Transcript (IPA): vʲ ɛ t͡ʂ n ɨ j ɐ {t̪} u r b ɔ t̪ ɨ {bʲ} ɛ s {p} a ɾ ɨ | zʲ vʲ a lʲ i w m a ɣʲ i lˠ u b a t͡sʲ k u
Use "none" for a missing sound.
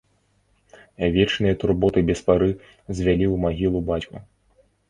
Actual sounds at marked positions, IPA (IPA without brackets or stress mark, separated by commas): t̪, bʲ, p